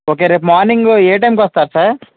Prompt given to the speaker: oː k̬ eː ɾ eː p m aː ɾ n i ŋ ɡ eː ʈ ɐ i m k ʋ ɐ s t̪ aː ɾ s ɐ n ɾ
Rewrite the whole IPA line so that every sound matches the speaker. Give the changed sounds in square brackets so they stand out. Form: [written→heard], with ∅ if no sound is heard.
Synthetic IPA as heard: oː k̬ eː ɾ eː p m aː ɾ n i ŋ ɡ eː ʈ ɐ [i→j] m k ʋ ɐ s t̪ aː ɾ s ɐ [n→∅] ɾ